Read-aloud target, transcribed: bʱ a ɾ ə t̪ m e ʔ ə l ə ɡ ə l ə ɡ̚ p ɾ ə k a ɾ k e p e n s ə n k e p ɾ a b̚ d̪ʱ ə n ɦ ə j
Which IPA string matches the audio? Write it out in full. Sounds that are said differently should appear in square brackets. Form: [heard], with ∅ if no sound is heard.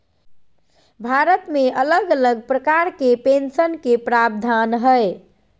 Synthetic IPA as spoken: bʱ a ɾ ə t̪ m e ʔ ə l ə ɡ ə l ə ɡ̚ p ɾ ə k a ɾ k e p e n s ə n k e p ɾ a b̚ d̪ʱ [a] n ɦ ə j